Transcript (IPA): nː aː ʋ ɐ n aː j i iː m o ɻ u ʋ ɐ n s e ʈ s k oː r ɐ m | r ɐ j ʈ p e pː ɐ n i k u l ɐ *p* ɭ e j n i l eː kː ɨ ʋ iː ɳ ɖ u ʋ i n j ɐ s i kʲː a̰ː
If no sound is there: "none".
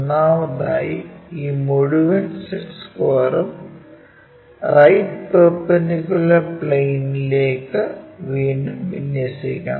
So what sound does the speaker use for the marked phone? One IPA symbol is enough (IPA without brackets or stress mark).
p